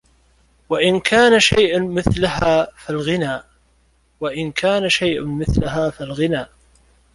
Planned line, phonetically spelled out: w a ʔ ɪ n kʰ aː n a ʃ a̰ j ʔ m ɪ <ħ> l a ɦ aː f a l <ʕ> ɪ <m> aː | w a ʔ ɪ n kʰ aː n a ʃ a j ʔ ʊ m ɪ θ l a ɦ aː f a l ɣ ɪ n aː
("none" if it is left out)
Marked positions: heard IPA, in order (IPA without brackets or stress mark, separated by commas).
θ, ɣ, n